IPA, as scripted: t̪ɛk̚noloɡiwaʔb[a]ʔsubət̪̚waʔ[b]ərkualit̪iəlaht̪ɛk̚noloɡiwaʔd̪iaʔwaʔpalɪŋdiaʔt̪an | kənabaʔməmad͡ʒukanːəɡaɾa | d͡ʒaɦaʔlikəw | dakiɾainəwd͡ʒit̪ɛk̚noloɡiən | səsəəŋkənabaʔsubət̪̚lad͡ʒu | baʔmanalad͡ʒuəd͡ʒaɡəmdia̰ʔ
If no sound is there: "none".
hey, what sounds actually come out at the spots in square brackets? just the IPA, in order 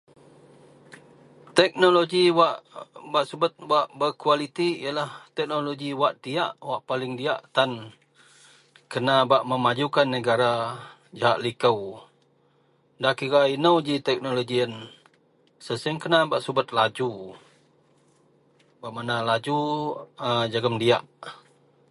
a, b

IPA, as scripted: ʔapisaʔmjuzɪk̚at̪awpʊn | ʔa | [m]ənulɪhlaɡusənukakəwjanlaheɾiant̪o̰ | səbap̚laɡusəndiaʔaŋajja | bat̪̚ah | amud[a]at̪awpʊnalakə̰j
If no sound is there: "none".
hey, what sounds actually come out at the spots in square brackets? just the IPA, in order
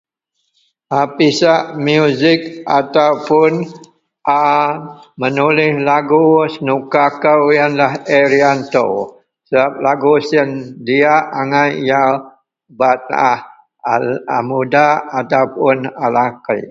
m, a

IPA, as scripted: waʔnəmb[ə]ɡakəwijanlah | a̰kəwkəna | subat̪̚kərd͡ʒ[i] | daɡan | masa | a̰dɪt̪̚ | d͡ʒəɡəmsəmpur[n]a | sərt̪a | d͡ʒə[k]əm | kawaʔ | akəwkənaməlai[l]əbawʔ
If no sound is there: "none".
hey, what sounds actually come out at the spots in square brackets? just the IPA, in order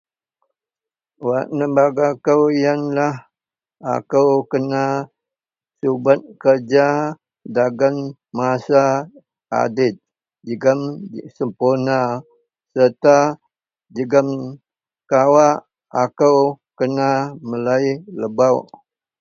a, a, n, ɡ, l

